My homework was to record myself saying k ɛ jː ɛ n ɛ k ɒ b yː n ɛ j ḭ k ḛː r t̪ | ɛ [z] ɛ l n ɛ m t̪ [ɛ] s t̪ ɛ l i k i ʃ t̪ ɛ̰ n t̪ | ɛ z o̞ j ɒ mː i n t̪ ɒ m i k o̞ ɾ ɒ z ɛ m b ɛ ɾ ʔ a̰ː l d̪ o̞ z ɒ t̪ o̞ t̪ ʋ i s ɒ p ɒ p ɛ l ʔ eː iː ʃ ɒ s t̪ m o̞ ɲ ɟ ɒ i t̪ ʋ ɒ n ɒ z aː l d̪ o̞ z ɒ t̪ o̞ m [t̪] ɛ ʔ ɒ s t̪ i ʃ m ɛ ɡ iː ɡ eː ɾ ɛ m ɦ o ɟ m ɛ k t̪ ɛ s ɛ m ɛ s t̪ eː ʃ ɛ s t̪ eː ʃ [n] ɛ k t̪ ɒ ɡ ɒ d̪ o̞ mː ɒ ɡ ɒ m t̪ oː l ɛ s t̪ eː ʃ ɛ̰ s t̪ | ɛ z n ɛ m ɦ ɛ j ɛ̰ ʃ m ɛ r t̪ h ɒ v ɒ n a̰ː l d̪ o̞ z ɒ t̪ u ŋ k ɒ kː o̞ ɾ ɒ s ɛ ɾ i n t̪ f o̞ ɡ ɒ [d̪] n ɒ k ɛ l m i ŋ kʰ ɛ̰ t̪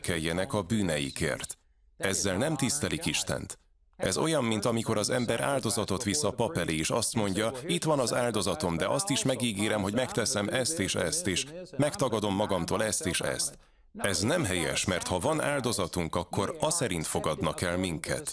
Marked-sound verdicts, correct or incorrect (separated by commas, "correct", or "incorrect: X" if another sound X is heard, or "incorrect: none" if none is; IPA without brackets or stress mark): incorrect: zː, incorrect: i, incorrect: d̪, incorrect: m, correct